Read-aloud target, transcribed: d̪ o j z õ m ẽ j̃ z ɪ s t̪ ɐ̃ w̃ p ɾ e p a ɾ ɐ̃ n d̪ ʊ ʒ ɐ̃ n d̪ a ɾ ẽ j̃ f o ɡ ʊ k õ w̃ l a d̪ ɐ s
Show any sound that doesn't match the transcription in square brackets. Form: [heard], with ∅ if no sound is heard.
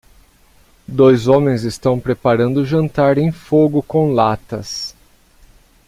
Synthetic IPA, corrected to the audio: d̪ o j z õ m ẽ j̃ z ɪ s t̪ ɐ̃ w̃ p ɾ e p a ɾ ɐ̃ n d̪ ʊ ʒ ɐ̃ n [t̪] a ɾ ẽ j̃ f o ɡ ʊ k õ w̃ l a [t̪] ɐ s